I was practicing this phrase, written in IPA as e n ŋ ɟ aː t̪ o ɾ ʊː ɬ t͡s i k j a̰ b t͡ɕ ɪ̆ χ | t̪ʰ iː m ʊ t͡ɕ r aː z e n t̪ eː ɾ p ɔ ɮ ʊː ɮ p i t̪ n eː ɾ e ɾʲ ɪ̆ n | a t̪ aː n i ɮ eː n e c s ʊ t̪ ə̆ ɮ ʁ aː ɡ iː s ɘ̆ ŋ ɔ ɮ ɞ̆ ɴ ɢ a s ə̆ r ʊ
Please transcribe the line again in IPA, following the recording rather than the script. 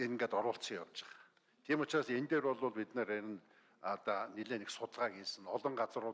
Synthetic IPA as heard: e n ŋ ɡ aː t̪ ɔ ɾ ʊː ɬ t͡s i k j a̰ w t͡ɕ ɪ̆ χ | t̪ʰ iː m ʊ t͡ɕ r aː s e n t̪ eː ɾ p ɔ ɮ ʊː ɮ p i t̪ n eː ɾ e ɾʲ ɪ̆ n | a t̪ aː n i ɮ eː n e k s ʊ t̪ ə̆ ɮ ʁ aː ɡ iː s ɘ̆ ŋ ɔ ɮ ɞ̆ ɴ ɢ a t͡s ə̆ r ʊ